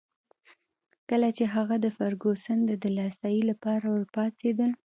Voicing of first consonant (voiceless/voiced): voiceless